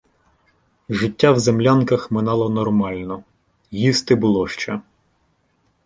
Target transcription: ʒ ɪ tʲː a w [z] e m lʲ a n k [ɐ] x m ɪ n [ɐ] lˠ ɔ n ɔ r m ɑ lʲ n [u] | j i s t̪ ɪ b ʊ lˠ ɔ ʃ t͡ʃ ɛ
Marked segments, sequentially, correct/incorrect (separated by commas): correct, correct, incorrect, incorrect